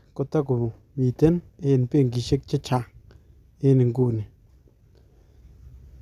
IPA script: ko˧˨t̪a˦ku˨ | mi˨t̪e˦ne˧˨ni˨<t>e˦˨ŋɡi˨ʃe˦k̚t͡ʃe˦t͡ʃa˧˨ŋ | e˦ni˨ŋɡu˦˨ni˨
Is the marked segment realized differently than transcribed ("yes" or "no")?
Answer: yes